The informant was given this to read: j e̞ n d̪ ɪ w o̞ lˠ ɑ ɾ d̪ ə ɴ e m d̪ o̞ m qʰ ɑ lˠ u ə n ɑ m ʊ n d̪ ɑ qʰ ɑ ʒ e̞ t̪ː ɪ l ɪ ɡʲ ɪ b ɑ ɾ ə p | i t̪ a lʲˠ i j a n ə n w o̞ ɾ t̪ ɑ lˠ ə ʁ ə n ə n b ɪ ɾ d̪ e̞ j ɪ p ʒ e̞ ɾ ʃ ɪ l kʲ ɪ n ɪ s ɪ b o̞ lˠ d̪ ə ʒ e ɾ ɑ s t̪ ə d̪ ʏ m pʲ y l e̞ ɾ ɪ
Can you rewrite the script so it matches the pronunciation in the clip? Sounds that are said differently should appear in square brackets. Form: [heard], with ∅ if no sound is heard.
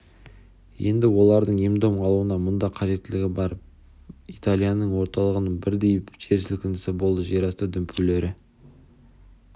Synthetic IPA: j e̞ n d̪ ɪ w o̞ lˠ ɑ ɾ d̪ ə ɴ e m d̪ o̞ m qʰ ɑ lˠ u ə n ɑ m ʊ n d̪ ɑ qʰ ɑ ʒ e̞ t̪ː ɪ l ɪ ɡʲ ɪ b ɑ ɾ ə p | i t̪ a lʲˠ i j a n ə [ɴ] w o̞ ɾ t̪ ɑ lˠ ə ʁ ə n ə [ɴ] b ɪ ɾ d̪ e̞ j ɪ p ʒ e̞ ɾ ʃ ɪ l kʲ ɪ n ɪ s ɪ b o̞ lˠ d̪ ə ʒ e ɾ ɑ s t̪ ə d̪ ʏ m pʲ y l e̞ ɾ ɪ

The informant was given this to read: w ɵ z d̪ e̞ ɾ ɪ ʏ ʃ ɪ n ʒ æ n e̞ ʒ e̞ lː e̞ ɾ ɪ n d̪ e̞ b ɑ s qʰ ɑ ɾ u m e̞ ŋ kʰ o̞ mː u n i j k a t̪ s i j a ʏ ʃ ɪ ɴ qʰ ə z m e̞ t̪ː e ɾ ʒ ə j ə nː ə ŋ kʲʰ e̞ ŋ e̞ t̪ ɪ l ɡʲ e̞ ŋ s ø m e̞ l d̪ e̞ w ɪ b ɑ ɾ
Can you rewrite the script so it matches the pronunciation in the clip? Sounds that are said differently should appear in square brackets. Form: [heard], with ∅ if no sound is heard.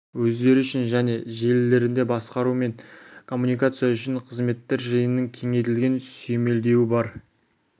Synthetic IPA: w ɵ z d̪ e̞ ɾ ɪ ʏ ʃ ɪ n ʒ æ n e̞ ʒ e̞ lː e̞ ɾ ɪ n d̪ e̞ b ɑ s [q] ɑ ɾ u m e̞ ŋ kʰ o̞ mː u n i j k a t̪ s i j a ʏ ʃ ɪ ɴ qʰ ə z m e̞ t̪ː e ɾ ʒ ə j ə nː ə ŋ kʲʰ e̞ ŋ e̞ t̪ ɪ l ɡʲ e̞ [n] s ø m e̞ l d̪ e̞ w ɪ b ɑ ɾ

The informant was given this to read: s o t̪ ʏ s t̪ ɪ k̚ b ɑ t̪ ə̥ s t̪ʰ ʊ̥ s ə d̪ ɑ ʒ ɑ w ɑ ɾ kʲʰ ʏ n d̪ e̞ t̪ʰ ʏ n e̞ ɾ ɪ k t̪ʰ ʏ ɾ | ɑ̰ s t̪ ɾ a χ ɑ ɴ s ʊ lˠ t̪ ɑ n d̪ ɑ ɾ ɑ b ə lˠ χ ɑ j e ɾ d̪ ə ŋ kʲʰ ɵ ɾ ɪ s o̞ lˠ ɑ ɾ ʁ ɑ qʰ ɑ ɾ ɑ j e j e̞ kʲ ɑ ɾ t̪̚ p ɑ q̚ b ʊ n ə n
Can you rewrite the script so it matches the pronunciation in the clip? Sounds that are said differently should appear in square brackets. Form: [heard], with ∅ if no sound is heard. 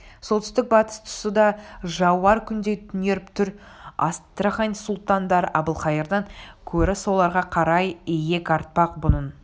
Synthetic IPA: s o t̪ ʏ s t̪ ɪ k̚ b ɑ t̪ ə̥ s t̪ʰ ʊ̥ s ə d̪ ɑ ʒ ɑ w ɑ ɾ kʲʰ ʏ n d̪ e̞ t̪ʰ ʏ n e̞ ɾ ɪ [p] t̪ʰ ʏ ɾ | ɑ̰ s t̪ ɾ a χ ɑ [n] s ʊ lˠ t̪ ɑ n d̪ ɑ ɾ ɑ b ə lˠ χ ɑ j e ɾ d̪ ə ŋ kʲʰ ɵ ɾ ɪ s o̞ lˠ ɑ ɾ ʁ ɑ qʰ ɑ ɾ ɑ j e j e̞ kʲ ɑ ɾ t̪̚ p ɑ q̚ b ʊ n ə n

